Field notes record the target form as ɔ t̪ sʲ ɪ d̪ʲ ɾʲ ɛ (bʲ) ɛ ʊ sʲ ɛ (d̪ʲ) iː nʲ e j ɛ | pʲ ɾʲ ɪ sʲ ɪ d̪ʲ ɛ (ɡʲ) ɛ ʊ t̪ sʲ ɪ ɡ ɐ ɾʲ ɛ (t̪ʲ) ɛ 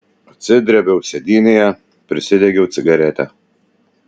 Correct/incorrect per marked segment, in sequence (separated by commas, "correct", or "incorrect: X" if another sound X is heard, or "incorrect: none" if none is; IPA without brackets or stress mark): correct, correct, correct, correct